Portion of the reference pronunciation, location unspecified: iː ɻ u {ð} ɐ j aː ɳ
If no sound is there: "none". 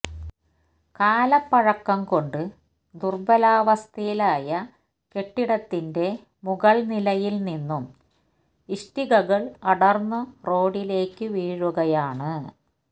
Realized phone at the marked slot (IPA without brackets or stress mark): ɣ